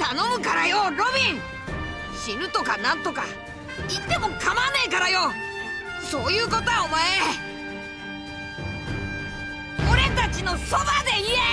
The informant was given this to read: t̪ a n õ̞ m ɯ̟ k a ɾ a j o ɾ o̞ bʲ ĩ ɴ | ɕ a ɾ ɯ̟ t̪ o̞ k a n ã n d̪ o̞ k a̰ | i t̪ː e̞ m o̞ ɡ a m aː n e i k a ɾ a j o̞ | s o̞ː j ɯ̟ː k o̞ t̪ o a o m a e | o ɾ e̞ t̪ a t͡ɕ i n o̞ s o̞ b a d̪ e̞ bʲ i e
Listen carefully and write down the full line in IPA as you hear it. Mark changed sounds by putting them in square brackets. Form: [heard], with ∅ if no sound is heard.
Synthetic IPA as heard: t̪ a n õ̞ m ɯ̟ k a ɾ a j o ɾ o̞ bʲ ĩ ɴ | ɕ [i] ɾ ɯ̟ t̪ o̞ k a n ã n [t̪] o̞ k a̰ | i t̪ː e̞ m o̞ [k] a m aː n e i k a ɾ a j o̞ | s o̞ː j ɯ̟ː k o̞ t̪ o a o m a e | o ɾ e̞ t̪ a t͡ɕ i n o̞ s o̞ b a d̪ e̞ [∅] i e